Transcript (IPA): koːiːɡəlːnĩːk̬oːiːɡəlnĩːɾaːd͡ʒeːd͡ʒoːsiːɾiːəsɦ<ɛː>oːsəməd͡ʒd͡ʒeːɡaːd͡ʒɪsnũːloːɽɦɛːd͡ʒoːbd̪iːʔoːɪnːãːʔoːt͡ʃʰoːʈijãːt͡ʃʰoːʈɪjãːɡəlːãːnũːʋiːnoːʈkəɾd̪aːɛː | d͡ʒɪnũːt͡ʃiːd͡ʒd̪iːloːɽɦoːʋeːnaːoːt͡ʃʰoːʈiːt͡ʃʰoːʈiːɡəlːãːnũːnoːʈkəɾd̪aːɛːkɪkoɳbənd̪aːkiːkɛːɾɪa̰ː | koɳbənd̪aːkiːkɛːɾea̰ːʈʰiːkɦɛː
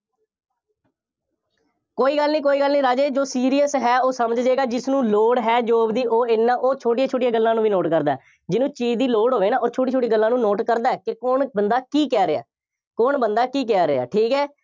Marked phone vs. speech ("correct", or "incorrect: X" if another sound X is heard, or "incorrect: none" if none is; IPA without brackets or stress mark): correct